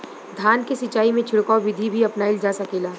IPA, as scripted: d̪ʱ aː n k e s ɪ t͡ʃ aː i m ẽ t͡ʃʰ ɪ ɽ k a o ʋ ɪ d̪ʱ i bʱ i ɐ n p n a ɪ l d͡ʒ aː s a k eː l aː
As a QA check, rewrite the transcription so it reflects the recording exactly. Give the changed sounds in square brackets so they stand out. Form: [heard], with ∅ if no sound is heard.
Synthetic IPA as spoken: d̪ʱ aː n k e s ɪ t͡ʃ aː i m ẽ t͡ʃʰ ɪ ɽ k a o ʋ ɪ d̪ʱ i bʱ i ɐ [∅] p n a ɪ l d͡ʒ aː s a k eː l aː

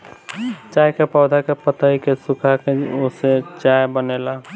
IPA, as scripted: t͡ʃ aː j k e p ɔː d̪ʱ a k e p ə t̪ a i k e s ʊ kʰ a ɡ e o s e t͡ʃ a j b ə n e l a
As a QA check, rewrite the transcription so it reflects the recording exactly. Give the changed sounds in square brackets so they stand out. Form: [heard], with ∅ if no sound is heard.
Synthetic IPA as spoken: t͡ʃ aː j k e p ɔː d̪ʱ a k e p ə t̪ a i k e s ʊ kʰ a [k] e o s e t͡ʃ a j b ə n e l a

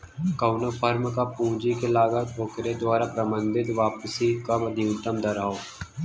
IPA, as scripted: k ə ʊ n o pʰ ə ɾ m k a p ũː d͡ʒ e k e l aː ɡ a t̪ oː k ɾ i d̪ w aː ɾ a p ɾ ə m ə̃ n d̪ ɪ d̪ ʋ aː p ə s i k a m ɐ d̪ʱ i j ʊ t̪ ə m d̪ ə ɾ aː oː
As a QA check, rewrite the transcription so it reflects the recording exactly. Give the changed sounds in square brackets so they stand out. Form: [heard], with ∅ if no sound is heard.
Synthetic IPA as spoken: k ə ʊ n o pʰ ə ɾ m k a p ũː d͡ʒ [i] k e l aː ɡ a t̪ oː k ɾ [e] d̪ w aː ɾ a p ɾ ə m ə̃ n d̪ ɪ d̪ ʋ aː p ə s i k a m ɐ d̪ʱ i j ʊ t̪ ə m d̪ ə ɾ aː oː

